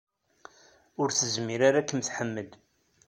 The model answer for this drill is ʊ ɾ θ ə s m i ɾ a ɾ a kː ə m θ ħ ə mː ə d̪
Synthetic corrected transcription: ʊ ɾ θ ə z m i ɾ a ɾ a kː ə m θ ħ ə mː ə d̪